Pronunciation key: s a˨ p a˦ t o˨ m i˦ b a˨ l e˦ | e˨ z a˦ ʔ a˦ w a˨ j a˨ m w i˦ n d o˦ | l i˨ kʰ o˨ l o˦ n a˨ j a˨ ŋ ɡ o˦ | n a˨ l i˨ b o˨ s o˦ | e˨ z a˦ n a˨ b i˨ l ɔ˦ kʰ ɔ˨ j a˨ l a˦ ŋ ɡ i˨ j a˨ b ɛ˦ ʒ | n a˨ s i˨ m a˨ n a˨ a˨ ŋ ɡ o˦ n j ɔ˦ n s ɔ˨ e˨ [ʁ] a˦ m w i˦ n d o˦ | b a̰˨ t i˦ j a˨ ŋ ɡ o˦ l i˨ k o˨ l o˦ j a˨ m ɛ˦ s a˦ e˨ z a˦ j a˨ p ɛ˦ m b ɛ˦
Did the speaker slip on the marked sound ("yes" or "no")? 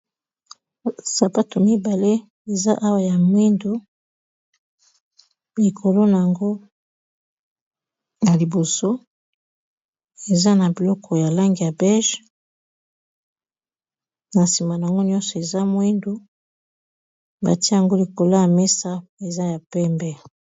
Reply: yes